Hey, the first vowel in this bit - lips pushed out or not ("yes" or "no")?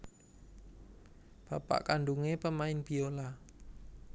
no